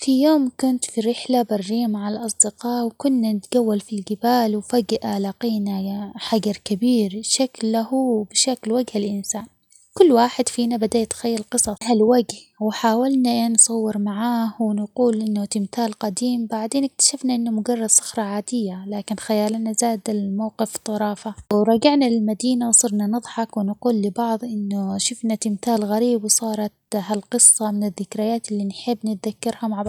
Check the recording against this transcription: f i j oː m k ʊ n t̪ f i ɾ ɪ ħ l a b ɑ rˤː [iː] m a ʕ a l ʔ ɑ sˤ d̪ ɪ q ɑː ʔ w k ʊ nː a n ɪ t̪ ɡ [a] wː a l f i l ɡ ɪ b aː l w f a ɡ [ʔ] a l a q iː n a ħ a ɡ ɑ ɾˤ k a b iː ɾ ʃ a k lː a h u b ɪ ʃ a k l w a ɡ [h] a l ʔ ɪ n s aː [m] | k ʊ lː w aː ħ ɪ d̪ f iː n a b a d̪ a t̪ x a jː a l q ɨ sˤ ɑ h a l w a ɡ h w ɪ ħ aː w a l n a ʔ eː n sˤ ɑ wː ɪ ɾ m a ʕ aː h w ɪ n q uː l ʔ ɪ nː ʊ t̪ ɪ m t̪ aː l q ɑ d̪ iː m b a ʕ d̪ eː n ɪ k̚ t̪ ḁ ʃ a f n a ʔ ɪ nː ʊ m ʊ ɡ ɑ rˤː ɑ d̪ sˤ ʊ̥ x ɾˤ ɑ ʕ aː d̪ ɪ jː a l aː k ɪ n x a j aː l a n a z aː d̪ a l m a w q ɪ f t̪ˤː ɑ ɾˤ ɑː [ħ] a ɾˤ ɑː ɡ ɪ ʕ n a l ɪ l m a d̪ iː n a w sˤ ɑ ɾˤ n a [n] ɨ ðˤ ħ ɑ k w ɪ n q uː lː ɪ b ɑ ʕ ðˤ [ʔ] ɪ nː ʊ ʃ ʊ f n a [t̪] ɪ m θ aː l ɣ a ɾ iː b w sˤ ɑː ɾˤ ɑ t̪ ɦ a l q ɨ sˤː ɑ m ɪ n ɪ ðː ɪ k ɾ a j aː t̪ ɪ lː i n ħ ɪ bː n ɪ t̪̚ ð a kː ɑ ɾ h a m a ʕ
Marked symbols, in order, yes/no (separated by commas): yes, yes, yes, yes, no, no, yes, yes, yes